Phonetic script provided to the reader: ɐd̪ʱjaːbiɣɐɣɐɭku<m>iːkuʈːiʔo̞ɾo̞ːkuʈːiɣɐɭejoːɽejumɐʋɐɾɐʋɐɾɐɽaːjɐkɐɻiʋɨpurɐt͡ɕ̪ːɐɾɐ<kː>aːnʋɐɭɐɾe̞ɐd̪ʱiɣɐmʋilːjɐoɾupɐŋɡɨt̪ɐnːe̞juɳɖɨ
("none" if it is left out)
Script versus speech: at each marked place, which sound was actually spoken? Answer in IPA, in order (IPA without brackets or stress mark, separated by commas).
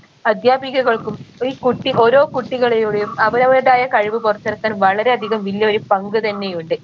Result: m, kː